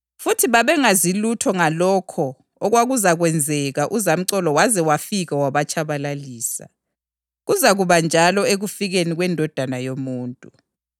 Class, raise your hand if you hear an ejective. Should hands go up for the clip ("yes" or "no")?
yes